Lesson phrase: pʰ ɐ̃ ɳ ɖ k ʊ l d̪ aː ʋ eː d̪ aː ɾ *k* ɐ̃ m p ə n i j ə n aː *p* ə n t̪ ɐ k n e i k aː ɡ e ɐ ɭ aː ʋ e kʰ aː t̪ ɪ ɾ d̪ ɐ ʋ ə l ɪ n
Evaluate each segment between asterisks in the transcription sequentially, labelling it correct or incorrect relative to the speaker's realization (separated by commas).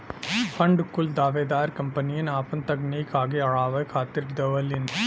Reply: correct, correct